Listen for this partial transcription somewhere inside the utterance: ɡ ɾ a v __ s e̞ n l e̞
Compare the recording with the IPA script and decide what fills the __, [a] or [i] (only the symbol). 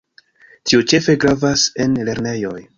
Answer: a